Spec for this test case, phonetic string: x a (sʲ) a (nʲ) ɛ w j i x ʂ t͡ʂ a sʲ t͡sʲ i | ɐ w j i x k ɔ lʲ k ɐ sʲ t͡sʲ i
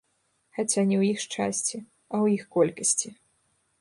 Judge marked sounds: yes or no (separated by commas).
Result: no, yes